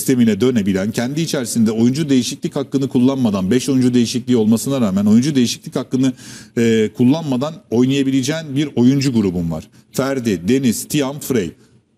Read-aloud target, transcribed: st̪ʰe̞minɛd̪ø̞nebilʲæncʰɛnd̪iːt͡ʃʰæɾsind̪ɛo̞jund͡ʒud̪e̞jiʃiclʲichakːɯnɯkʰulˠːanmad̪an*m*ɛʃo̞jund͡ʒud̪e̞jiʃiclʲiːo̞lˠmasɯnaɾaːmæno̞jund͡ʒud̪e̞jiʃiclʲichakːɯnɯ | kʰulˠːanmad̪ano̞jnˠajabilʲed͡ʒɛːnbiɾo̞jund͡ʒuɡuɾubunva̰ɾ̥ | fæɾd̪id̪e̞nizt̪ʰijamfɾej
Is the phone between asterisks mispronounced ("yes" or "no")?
yes